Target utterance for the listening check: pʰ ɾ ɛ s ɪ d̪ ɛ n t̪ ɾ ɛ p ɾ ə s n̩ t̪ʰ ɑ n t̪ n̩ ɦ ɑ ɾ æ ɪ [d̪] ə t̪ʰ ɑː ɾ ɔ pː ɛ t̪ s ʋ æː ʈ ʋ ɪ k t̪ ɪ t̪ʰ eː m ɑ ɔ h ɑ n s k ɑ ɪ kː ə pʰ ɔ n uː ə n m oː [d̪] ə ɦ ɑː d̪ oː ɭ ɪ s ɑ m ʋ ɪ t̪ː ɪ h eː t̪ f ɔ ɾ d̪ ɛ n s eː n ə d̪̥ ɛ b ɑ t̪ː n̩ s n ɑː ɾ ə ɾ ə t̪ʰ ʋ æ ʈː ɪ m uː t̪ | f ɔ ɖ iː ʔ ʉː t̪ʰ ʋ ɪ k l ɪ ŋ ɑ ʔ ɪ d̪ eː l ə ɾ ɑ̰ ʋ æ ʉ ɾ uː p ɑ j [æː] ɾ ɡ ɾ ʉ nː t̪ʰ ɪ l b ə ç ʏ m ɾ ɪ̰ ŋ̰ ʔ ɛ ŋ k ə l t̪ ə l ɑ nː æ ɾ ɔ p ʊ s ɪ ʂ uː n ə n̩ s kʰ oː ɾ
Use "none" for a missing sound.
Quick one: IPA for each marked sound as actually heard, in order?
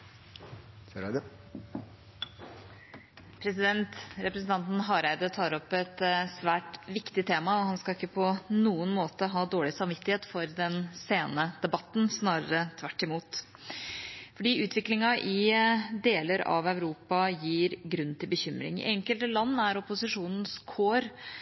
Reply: d̪, t̪, iː

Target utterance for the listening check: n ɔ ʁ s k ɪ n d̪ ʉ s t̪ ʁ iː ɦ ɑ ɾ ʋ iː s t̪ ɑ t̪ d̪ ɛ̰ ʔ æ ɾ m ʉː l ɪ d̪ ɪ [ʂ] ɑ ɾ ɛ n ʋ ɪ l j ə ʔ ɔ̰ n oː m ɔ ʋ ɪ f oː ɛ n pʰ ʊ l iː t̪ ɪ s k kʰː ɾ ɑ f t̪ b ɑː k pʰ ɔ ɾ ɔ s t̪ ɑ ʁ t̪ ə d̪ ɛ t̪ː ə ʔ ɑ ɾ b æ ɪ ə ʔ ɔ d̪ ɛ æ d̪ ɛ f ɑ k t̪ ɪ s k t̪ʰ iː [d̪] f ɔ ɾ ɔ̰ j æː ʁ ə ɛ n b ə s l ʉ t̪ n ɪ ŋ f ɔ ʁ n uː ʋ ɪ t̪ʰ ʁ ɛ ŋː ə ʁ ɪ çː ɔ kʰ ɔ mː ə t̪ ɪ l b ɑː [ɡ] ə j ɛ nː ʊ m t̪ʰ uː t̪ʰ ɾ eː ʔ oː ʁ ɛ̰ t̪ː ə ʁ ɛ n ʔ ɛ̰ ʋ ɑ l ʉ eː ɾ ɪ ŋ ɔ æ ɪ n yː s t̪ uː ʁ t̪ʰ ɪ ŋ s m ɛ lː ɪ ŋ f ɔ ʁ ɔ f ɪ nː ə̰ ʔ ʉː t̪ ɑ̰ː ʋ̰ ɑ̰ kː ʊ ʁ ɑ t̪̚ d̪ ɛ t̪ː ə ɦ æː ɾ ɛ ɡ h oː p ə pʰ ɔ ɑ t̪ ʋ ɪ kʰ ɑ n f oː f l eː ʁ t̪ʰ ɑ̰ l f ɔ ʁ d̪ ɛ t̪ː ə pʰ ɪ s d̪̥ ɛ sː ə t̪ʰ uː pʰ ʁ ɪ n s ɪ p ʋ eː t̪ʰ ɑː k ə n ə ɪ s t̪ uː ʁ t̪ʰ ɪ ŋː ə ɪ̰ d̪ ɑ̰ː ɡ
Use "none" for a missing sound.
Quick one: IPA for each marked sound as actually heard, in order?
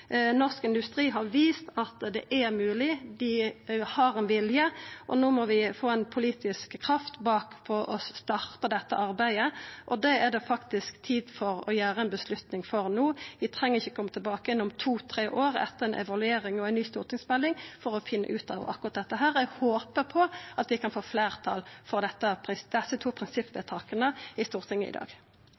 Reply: h, d̪, k

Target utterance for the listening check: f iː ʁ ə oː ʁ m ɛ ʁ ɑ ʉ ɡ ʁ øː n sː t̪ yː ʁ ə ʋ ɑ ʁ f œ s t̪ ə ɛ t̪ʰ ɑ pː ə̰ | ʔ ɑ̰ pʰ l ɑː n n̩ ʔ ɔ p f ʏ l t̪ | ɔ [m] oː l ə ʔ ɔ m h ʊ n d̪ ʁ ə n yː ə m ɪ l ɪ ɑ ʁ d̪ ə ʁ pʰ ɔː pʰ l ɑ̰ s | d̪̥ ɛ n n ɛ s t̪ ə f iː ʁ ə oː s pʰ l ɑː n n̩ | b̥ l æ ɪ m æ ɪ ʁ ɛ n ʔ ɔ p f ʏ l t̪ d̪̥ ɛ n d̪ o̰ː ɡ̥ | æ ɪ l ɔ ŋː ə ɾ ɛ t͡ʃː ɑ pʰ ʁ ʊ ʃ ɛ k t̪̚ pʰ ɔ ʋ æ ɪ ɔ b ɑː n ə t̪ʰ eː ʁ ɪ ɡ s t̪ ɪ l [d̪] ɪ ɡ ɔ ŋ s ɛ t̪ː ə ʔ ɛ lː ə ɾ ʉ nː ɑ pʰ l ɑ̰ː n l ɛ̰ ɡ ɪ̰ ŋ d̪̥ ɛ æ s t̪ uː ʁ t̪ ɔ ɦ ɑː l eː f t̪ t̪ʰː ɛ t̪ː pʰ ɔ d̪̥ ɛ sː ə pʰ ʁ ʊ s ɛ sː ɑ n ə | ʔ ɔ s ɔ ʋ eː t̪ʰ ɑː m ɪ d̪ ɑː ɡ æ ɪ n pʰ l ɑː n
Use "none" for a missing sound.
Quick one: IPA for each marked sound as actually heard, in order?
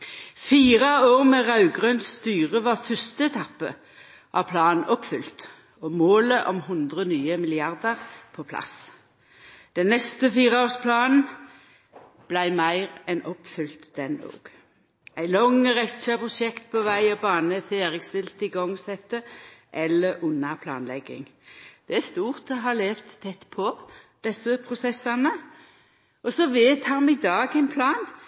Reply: m, t̪

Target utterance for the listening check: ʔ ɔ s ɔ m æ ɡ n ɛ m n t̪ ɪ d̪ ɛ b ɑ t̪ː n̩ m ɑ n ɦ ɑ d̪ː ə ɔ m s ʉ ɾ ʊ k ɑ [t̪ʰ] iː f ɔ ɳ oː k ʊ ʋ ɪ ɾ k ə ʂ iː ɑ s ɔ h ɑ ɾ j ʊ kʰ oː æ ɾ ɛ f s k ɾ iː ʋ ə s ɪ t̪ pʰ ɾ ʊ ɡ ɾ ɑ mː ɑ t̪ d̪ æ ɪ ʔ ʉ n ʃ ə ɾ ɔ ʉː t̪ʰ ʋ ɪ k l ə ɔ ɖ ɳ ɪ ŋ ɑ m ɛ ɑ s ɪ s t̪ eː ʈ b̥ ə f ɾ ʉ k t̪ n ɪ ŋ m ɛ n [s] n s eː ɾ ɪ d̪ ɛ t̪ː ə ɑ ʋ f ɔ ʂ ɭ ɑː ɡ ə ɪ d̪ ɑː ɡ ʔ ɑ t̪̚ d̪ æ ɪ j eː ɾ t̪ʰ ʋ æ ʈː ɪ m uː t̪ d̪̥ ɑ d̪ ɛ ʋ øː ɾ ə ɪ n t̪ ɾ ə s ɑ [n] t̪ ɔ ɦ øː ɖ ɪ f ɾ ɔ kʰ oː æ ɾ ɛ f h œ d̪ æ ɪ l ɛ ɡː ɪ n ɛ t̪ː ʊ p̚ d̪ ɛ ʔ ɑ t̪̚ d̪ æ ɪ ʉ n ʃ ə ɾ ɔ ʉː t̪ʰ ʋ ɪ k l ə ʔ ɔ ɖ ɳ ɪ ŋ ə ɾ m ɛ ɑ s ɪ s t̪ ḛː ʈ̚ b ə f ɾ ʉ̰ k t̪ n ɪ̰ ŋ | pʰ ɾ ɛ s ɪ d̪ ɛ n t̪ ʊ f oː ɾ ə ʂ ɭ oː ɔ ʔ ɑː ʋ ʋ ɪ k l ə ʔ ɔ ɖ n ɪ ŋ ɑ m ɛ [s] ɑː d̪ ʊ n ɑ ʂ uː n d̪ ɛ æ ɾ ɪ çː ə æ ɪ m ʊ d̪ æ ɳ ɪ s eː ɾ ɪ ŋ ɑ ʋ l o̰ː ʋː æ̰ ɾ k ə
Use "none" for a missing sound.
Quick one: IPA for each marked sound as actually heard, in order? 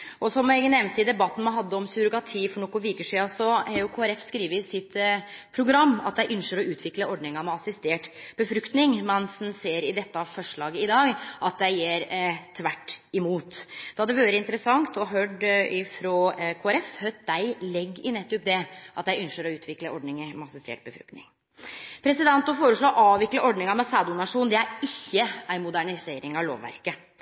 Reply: t̪ʰ, s, ŋ, s

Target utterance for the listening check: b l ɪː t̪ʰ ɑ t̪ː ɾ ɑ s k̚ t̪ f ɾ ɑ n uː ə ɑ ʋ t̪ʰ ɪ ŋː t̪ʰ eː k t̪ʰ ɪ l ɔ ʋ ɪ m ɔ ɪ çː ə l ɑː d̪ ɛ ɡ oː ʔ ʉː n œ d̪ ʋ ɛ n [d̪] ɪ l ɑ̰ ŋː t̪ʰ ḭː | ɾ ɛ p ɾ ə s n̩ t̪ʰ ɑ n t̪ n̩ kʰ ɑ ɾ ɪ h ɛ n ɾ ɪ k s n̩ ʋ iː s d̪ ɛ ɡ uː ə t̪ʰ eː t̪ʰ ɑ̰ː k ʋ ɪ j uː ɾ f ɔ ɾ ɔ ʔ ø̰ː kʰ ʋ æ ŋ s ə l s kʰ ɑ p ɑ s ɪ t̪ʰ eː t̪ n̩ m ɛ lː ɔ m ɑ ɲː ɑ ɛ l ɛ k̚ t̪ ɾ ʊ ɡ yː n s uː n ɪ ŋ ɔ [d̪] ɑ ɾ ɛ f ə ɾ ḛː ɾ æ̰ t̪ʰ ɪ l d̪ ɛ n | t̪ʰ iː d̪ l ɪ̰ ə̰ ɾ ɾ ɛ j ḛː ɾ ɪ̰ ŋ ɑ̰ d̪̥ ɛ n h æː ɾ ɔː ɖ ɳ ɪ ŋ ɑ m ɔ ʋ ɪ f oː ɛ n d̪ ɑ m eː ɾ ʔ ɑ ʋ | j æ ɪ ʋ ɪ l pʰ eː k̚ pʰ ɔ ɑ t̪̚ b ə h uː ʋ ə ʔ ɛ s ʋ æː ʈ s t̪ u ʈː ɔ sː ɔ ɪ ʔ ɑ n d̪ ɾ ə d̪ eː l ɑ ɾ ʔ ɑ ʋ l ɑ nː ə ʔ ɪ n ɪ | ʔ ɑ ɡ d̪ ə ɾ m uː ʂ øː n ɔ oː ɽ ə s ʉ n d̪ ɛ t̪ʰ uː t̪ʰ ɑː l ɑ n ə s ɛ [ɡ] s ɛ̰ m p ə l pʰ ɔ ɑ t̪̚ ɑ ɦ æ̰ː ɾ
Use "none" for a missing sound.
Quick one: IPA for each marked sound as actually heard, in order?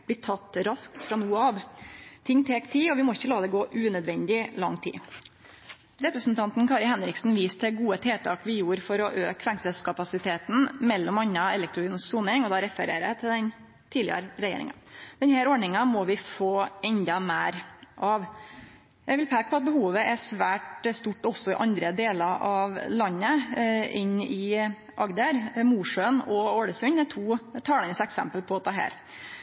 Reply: d̪, d̪, k

